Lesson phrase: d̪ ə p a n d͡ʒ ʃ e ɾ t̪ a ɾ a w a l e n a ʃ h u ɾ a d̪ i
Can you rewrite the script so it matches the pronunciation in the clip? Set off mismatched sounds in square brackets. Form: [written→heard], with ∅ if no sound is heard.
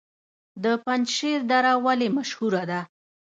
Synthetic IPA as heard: d̪ ə p a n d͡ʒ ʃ e ɾ [t̪→d̪] a ɾ a w a l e [n→m] a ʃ h u ɾ a d̪ [i→a]